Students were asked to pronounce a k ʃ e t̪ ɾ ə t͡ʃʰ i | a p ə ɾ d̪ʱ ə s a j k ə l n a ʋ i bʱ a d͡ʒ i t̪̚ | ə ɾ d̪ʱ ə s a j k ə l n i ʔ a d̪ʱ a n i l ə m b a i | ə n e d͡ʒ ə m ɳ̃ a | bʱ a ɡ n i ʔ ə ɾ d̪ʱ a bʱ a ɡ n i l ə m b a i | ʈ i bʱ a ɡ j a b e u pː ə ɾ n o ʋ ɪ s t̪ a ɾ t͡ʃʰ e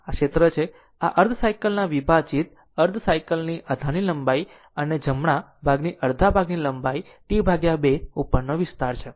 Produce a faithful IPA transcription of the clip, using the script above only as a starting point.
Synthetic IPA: a k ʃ e t̪ ɾ ə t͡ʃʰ e | a ʔ ə ɾ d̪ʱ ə s a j k ə l n a ʋ i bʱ a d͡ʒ i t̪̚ | ə ɾ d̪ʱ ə s a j k ə l n i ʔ a d̪ʱ a n i l ə m b a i | ə n e d͡ʒ ə m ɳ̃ a | bʱ a ɡ n i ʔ ə ɾ d̪ʱ a bʱ a ɡ n i l ə m b a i | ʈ i bʱ a ɡ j a b e u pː ə ɾ n o ʋ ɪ s t̪ a ɾ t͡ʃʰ e